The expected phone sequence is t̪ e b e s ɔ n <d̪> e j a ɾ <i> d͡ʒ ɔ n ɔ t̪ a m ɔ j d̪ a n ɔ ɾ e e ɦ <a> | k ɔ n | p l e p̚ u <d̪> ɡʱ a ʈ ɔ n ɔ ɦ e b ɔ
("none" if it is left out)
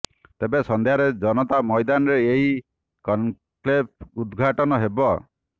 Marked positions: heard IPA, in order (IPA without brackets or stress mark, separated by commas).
d̪, e, i, d̪